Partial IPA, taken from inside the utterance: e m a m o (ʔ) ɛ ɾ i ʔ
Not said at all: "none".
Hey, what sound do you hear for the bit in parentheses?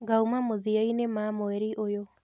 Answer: none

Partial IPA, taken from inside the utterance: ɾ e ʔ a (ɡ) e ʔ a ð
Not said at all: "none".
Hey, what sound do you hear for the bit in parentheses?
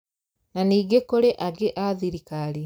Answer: ɡ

